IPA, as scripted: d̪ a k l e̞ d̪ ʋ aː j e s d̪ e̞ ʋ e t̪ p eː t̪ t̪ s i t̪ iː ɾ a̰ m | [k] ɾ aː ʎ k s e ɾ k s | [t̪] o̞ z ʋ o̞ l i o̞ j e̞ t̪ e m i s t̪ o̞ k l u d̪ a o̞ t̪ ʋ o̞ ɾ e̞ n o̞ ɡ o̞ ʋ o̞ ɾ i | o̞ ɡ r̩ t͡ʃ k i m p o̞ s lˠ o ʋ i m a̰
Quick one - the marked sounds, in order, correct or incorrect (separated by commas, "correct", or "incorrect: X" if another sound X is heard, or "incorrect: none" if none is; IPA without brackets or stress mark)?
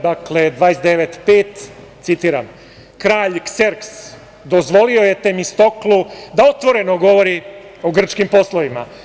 correct, incorrect: d̪